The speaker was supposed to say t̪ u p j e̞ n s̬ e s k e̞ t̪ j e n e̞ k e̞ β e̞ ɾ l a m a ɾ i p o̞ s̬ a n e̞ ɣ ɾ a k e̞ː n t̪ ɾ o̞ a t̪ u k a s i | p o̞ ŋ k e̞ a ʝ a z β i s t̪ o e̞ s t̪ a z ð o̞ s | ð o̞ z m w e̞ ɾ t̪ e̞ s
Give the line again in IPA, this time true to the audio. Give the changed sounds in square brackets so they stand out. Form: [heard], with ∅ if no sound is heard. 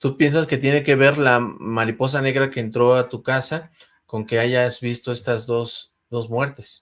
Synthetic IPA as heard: t̪ u p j e̞ n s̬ [a] s k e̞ t̪ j e n e̞ k e̞ β e̞ ɾ l a m a ɾ i p o̞ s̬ a n e̞ ɣ ɾ a k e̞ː n t̪ ɾ o̞ a t̪ u k a s [a] | [k] o̞ ŋ k e̞ a ʝ a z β i s t̪ o e̞ s t̪ a z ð o̞ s | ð o̞ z m w e̞ ɾ t̪ e̞ s